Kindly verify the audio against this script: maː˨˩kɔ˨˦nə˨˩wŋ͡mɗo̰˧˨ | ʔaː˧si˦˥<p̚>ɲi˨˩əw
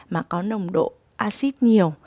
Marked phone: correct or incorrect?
incorrect